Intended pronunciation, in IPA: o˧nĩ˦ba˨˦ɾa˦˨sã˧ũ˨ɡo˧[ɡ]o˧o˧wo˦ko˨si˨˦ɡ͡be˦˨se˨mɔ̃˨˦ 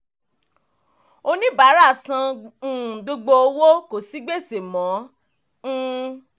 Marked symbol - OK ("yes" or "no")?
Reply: no